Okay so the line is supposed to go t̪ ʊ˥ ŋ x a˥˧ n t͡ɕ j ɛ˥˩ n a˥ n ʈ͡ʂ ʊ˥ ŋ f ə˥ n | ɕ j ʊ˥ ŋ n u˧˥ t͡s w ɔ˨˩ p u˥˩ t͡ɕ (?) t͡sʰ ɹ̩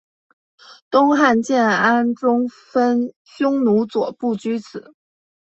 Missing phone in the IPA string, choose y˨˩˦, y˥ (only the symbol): y˥